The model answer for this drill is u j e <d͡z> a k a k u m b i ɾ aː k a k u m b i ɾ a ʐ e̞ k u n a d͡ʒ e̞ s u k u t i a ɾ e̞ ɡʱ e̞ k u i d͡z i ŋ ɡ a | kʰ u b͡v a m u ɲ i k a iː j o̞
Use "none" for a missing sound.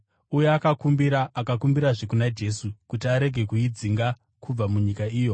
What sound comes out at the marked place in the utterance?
none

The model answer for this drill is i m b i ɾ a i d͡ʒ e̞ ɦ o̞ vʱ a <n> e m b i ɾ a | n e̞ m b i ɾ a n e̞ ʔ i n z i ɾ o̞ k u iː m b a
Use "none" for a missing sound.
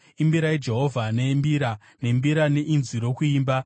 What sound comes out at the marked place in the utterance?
n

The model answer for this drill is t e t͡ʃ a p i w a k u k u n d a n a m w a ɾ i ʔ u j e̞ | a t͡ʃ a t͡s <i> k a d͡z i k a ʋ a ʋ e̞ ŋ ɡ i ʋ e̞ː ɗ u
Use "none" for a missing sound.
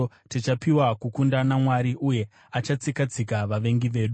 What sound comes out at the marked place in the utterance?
i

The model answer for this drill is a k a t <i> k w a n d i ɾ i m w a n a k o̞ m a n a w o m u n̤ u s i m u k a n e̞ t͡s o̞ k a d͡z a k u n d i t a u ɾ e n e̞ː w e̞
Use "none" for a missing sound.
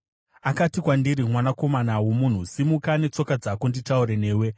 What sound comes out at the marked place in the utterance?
i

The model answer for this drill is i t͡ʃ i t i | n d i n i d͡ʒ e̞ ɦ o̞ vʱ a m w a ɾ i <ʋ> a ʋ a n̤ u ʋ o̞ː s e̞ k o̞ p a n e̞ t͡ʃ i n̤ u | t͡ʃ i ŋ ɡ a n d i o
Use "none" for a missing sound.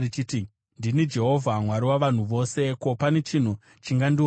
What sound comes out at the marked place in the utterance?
w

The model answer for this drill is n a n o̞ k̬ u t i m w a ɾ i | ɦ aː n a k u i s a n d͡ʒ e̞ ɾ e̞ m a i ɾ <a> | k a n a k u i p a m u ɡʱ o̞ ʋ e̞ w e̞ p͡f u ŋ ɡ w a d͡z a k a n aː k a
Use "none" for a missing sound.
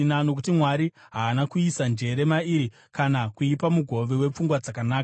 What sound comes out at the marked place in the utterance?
i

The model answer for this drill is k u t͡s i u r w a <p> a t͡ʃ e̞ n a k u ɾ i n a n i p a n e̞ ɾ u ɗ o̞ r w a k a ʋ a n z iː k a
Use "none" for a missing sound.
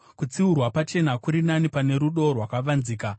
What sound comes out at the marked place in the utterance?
p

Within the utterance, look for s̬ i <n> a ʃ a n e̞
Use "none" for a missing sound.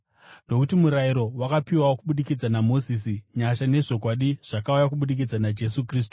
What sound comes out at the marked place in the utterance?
ɲ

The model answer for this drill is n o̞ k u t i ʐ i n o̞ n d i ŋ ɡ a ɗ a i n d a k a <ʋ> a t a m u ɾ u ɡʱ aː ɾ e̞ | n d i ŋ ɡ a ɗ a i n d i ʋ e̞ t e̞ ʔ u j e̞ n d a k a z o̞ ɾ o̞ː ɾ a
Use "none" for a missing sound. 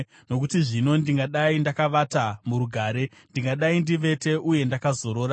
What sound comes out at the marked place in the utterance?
ʋ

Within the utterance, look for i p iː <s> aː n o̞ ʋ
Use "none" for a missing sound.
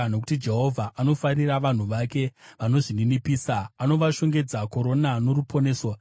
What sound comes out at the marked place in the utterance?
s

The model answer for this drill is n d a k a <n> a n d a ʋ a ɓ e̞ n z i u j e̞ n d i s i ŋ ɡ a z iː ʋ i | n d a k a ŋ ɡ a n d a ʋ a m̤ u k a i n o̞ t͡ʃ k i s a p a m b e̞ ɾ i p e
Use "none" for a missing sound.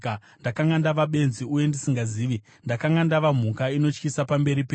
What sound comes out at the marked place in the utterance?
ŋ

